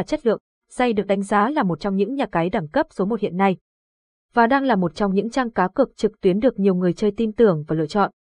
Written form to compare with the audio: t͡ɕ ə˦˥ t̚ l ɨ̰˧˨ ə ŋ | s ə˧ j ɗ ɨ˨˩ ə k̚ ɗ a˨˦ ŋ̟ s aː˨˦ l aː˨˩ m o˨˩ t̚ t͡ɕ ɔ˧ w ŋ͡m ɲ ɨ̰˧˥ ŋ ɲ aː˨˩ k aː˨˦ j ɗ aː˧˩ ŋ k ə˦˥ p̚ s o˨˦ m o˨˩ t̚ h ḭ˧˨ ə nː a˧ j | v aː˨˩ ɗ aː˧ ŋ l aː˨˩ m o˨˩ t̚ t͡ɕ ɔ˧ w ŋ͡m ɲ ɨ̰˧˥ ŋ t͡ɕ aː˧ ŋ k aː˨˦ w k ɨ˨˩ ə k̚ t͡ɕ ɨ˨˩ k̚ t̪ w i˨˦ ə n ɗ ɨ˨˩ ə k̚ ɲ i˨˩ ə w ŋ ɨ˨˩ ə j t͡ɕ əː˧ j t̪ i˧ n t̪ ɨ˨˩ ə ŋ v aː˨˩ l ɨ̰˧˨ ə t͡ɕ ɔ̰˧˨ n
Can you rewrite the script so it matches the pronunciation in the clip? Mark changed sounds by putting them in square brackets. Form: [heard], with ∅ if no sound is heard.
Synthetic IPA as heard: t͡ɕ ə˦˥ t̚ l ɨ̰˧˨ ə ŋ | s [a˧] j ɗ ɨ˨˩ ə k̚ ɗ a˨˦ ŋ̟ [z] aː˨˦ l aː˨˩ m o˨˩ t̚ t͡ɕ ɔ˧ w ŋ͡m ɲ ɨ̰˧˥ ŋ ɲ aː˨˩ k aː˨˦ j ɗ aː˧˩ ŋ k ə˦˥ p̚ s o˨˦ m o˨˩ t̚ h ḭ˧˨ ə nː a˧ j | v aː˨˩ ɗ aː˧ ŋ l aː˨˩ m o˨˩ t̚ t͡ɕ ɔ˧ w ŋ͡m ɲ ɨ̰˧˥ ŋ t͡ɕ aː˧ ŋ k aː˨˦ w k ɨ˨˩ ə k̚ t͡ɕ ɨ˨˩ k̚ t̪ w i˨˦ ə n ɗ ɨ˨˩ ə k̚ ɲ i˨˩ ə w ŋ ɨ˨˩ ə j t͡ɕ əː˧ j t̪ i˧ n t̪ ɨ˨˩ ə ŋ v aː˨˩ l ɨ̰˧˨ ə t͡ɕ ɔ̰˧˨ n